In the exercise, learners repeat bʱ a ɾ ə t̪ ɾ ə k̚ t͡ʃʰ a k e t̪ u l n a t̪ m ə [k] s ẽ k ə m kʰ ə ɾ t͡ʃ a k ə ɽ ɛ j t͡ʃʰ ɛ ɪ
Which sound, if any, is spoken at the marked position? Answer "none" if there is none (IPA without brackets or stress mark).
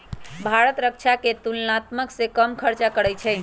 k